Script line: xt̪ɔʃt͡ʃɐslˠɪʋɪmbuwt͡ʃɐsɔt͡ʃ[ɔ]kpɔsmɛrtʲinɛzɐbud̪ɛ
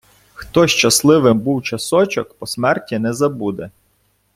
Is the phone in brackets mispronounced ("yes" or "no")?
no